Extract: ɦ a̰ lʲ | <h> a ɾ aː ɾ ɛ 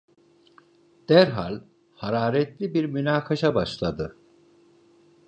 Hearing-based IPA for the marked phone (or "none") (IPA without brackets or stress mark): h